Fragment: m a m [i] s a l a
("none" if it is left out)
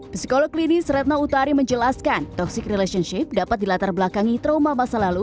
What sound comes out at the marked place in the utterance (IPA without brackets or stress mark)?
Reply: a